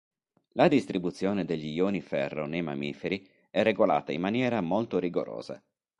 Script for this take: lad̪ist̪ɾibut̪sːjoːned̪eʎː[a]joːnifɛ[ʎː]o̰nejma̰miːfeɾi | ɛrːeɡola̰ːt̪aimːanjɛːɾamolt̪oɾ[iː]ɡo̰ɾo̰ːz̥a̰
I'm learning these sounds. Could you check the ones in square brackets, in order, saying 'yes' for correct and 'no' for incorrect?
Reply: no, no, no

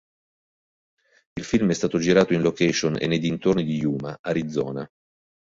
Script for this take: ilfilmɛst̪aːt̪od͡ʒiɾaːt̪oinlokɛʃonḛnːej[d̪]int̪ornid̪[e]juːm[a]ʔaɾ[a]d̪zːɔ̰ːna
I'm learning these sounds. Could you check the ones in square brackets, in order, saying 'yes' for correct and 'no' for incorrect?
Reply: yes, no, yes, no

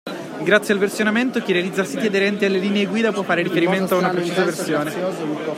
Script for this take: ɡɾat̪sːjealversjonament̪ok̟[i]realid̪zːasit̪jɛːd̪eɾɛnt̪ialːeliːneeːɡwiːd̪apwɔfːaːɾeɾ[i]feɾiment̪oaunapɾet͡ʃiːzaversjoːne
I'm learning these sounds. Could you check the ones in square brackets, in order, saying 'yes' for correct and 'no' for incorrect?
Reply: yes, yes

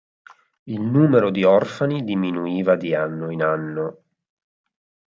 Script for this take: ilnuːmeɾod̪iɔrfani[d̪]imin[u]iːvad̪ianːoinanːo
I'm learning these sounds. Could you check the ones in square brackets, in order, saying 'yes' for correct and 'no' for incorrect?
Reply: yes, yes

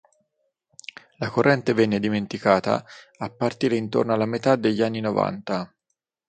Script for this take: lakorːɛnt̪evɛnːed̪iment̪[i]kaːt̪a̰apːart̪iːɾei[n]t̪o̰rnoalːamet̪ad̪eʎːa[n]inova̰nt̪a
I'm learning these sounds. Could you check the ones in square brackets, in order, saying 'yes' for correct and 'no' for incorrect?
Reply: yes, yes, no

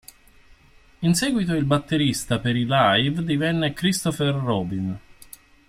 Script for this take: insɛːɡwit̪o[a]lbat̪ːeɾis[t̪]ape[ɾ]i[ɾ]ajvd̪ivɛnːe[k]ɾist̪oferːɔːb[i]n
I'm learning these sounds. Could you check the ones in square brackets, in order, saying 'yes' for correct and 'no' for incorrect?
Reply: no, yes, yes, no, yes, yes

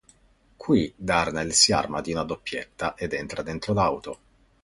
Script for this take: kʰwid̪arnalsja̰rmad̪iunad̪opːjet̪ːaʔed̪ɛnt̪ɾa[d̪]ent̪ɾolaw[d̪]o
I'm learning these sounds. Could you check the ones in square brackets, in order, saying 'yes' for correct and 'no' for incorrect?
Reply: yes, no

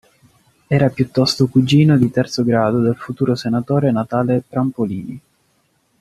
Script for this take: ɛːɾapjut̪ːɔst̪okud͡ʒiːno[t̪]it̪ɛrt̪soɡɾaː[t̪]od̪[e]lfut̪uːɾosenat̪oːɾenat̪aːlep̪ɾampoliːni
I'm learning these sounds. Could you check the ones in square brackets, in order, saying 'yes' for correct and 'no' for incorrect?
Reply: no, no, yes

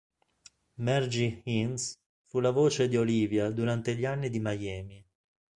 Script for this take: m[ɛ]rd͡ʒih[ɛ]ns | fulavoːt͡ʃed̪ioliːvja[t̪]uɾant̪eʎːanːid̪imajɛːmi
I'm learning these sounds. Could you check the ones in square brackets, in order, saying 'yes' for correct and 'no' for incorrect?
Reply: yes, no, no

